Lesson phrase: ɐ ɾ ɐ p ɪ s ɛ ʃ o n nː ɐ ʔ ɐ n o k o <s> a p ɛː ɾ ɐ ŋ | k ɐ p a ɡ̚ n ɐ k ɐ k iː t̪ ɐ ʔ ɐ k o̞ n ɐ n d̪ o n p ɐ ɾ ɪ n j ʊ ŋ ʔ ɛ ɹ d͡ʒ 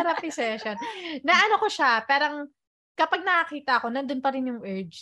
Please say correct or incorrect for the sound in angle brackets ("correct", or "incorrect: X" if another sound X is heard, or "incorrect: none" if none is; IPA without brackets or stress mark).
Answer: incorrect: ʃ